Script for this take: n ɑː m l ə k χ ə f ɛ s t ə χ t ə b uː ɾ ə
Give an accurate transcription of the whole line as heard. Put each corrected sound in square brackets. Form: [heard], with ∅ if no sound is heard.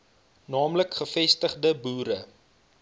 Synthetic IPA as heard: n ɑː m l ə k χ ə f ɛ s t ə χ [d] ə b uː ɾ ə

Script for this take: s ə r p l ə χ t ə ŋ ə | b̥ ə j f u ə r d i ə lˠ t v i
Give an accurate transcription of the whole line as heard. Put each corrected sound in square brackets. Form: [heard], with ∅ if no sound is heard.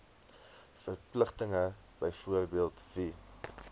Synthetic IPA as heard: [f] ə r p l ə χ t ə ŋ ə | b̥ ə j f u ə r [b] i ə lˠ t v i

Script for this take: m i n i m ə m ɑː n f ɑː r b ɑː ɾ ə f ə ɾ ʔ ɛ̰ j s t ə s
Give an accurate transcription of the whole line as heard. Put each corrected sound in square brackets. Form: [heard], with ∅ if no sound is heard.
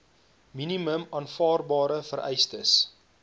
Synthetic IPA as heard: m i n i m ə m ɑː n f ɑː r b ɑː ɾ ə f ə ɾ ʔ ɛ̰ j s t ə s

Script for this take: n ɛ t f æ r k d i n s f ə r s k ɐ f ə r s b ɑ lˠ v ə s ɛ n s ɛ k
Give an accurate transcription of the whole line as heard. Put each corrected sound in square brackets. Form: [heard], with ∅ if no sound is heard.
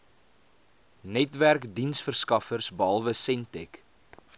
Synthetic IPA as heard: n ɛ t [v] æ r k d i n s f ə r s k ɐ f ə r s b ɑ lˠ v ə s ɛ n [t] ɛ k

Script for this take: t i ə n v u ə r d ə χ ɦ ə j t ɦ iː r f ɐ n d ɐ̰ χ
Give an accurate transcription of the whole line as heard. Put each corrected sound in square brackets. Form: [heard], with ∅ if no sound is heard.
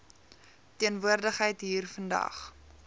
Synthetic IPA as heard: t i ə n v u ə r d ə χ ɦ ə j t ɦ iː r f [ə] n d ɐ̰ χ

